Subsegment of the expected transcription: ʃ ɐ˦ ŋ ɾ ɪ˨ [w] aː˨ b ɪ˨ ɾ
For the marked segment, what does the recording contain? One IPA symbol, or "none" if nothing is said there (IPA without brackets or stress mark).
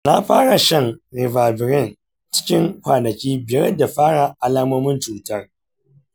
v